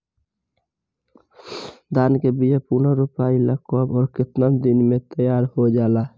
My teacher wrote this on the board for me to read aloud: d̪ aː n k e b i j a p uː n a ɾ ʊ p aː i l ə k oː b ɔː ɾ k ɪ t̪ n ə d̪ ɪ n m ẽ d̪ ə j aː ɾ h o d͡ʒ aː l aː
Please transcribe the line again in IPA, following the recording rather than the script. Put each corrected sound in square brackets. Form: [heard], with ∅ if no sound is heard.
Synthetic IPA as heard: d̪ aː n k e b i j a p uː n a ɾ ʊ p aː i l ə k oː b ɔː ɾ k ɪ t̪ n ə d̪ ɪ n m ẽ [t̪] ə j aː ɾ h o d͡ʒ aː l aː

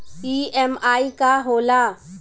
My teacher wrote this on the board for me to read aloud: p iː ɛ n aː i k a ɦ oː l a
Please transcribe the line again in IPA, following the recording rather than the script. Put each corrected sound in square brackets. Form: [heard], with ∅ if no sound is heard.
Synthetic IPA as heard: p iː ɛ [m] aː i k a ɦ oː l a

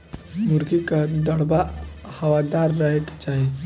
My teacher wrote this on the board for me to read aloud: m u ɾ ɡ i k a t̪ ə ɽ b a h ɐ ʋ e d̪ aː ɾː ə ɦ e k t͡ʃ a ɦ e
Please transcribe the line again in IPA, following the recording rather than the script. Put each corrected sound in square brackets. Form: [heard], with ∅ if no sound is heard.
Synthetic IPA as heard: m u ɾ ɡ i k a [d̪] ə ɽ b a h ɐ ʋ [a] d̪ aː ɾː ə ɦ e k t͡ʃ a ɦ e

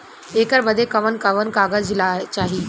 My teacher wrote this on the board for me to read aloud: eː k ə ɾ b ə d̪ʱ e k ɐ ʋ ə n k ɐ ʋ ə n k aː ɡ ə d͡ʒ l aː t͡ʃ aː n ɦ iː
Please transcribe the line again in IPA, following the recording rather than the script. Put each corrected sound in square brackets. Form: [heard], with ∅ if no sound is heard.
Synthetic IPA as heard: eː k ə ɾ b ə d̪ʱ e k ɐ ʋ ə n k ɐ ʋ ə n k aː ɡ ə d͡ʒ l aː t͡ʃ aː [∅] ɦ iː

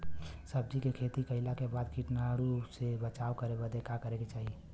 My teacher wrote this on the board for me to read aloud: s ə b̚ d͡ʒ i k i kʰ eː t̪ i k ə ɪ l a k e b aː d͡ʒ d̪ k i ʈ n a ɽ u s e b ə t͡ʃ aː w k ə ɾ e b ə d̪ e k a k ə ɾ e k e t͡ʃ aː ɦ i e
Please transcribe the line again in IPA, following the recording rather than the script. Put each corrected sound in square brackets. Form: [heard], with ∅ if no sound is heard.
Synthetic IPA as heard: s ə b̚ d͡ʒ i k [e] kʰ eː t̪ i k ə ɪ l a k e b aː [∅] d̪ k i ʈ n a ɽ u s e b ə t͡ʃ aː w k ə ɾ e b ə d̪ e k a k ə ɾ e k e t͡ʃ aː ɦ i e

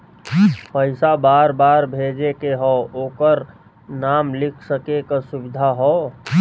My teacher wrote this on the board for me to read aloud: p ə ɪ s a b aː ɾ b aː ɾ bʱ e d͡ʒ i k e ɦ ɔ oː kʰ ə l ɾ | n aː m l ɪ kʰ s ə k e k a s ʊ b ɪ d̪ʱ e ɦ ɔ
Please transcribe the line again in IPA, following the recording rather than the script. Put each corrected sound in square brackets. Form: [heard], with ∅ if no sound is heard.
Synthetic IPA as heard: p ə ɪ s a b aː ɾ b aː ɾ bʱ e d͡ʒ [e] k e ɦ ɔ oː [k] ə [∅] ɾ | n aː m l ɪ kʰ s ə k e k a s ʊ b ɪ d̪ʱ [a] ɦ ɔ

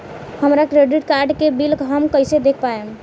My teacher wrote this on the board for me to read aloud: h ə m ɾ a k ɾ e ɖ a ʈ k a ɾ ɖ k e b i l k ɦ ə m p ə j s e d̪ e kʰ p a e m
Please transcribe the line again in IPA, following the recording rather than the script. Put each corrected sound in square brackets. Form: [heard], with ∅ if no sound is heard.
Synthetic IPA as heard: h ə m ɾ a k ɾ e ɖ [i] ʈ k a ɾ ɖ k e b i l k ɦ ə m [k] ə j s e d̪ e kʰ p a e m

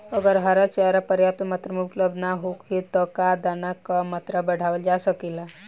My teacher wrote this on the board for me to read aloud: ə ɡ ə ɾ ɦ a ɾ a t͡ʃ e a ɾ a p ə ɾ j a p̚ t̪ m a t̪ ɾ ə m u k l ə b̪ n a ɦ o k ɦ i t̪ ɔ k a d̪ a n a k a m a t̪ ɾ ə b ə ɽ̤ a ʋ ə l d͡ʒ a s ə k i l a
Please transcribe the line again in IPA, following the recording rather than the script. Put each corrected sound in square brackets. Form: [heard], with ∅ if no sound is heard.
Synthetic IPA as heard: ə ɡ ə ɾ ɦ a ɾ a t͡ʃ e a ɾ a p ə ɾ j a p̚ t̪ m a t̪ ɾ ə m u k l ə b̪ n a ɦ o k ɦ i t̪ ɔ k a d̪ a n a k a m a t̪ ɾ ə b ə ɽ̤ a ʋ ə l d͡ʒ a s ə k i l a

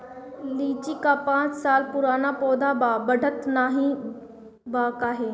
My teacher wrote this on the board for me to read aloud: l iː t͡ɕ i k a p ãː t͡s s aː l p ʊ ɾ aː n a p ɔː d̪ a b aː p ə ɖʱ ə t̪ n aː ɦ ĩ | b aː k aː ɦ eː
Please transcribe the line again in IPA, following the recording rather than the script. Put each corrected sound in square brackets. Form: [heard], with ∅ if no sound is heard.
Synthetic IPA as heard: l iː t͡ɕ i k a p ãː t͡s s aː l p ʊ ɾ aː n a p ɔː d̪ a b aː [b] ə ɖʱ ə t̪ n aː ɦ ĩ | b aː k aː ɦ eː

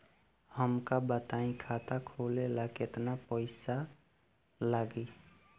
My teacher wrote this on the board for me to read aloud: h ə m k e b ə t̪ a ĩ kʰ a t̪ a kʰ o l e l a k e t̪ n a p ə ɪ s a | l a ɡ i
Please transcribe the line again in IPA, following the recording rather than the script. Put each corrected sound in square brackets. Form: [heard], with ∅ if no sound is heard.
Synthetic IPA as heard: h ə m k [a] b ə t̪ a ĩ kʰ a t̪ a kʰ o l e l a k e t̪ n a p ə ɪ s a | l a ɡ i

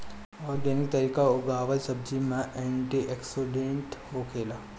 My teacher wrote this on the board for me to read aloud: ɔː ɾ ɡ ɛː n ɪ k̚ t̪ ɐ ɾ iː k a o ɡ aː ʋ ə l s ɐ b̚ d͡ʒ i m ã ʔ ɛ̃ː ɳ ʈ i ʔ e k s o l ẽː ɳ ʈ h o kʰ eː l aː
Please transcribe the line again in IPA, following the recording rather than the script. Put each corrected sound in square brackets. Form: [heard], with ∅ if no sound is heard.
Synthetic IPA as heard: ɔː ɾ ɡ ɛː n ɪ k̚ t̪ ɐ ɾ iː k a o ɡ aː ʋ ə l s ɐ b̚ d͡ʒ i m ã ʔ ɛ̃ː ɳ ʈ i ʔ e k s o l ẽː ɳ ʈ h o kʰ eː l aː

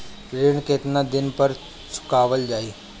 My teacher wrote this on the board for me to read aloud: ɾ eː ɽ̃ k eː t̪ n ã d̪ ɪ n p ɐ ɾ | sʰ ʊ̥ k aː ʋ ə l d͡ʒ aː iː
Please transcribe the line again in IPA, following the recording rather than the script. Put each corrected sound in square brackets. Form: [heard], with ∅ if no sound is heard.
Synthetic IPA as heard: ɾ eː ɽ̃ k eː t̪ n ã d̪ ɪ n p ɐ ɾ | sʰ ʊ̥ k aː ʋ ə l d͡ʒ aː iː

